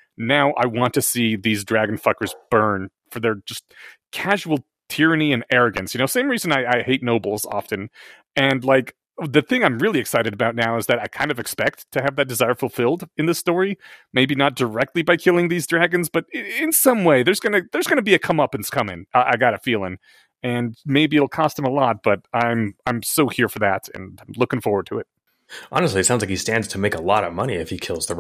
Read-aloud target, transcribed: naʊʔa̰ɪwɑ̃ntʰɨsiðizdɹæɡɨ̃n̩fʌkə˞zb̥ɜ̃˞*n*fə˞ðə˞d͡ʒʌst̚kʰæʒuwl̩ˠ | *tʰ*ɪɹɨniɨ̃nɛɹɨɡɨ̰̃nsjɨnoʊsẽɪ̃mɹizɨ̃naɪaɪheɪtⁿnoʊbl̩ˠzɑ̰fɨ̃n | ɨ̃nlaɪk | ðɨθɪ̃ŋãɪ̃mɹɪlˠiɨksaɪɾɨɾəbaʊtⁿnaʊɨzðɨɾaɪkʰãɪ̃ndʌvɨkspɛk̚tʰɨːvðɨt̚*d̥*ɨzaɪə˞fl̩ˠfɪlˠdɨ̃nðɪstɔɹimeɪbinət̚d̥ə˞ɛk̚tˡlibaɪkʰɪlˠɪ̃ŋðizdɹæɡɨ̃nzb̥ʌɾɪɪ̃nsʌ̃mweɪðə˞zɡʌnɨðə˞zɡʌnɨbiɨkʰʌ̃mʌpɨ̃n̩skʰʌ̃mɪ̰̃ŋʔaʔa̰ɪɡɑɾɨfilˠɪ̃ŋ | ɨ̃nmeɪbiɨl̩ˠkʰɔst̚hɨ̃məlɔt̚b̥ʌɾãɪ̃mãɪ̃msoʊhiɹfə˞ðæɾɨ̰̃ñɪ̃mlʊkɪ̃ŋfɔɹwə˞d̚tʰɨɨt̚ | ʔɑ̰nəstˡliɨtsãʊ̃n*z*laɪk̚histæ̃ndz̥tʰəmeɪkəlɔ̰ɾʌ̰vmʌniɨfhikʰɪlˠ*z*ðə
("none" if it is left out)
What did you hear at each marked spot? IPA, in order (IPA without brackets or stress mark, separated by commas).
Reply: n, tʰ, d̥, z, z